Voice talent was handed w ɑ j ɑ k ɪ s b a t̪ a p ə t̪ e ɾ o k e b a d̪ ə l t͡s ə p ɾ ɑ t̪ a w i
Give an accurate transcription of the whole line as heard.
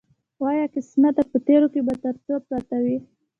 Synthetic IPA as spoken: w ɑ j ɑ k ɪ s m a t̪ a p ə t̪ e ɾ o k e b a t̪ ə ɾ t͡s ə p ɾ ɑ t̪ a w i